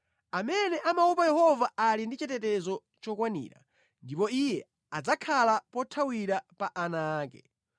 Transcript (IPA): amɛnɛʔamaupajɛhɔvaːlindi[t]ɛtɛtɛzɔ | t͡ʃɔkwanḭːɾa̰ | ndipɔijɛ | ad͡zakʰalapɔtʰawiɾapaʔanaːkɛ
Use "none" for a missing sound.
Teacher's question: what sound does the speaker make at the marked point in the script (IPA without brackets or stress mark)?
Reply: t͡ʃ